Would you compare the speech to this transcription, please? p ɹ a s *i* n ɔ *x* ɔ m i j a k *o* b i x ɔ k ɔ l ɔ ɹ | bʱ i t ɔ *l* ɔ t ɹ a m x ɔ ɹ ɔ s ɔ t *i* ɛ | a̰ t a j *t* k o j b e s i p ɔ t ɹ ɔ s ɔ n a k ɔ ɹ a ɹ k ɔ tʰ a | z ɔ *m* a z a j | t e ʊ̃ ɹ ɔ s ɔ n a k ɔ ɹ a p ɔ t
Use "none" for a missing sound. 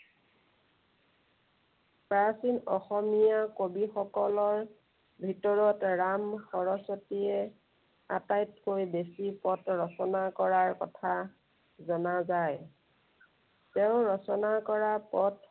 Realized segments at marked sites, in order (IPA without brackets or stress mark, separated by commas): i, x, o, ɹ, i, t, n